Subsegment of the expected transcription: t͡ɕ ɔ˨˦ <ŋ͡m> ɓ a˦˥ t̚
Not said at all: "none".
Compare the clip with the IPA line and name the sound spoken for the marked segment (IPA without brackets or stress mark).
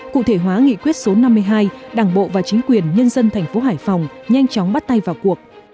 ŋ͡m